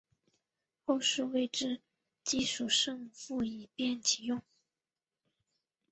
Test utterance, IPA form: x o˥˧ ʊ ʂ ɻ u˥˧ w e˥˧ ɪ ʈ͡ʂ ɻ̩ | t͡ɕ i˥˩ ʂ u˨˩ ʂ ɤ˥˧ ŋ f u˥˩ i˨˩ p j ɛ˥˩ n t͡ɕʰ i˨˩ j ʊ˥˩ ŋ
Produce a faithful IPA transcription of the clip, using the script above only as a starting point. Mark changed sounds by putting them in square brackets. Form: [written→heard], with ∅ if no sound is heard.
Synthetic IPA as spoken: x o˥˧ ʊ ʂ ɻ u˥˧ w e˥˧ ɪ ʈ͡ʂ ɻ̩ | t͡ɕ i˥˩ ʂ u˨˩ ʂ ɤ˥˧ ŋ f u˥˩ i˨˩ p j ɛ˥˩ n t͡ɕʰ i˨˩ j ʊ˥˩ ŋ